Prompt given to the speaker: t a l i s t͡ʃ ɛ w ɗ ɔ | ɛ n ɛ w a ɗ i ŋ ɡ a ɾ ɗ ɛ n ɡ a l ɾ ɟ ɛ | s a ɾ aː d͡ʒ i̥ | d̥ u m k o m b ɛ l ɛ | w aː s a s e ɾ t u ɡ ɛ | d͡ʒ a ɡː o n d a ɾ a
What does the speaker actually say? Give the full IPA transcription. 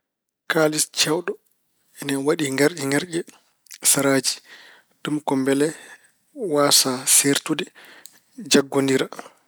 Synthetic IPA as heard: k a l i s t͡ʃ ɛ w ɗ ɔ | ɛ n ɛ w a ɗ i ŋ ɡ a ɾ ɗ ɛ ŋ ɡ a ɾ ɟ ɛ | s a ɾ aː d͡ʒ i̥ | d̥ u m k ɔ m b ɛ l ɛ | w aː s a s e ɾ t u d ɛ | d͡ʒ a ɡː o n d i ɾ a